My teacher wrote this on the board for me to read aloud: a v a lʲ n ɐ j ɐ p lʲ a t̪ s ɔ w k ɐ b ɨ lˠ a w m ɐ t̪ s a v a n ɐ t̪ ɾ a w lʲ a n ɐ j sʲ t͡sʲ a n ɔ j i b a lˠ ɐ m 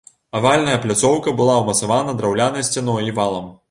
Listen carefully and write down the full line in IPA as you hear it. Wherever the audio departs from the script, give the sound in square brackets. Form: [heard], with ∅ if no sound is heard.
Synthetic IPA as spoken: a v a lʲ n ɐ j ɐ p lʲ a t̪ s ɔ w k ɐ b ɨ lˠ a w m ɐ t̪ s a v a n ɐ [d̪] ɾ a w lʲ a n ɐ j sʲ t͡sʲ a n ɔ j i [v] a lˠ ɐ m